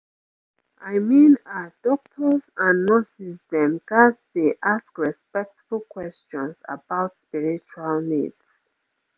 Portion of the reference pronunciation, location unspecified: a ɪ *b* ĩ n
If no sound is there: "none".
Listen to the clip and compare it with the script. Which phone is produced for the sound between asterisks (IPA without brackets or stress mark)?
m